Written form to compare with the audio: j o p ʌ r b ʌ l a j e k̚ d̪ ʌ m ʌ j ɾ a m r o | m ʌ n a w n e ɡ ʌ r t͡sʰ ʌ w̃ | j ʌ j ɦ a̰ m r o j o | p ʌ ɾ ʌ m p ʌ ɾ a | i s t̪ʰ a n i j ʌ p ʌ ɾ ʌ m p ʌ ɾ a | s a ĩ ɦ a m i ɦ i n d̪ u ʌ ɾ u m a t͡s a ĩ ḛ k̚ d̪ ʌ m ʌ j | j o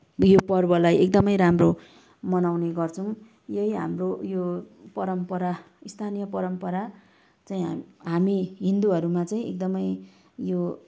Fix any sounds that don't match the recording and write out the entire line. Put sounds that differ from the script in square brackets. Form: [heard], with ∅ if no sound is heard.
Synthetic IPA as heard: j o p ʌ r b ʌ l a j e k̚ d̪ ʌ m ʌ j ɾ a m r o | m ʌ n a w n e ɡ ʌ r t͡sʰ ʌ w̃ | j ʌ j ɦ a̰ m r o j o | p ʌ ɾ ʌ m p ʌ ɾ a | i s t̪ʰ a n i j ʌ p ʌ ɾ ʌ m p ʌ ɾ a | [t͡s] a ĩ ɦ a m i ɦ i n d̪ u ʌ ɾ u m a t͡s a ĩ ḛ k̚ d̪ ʌ m ʌ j | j o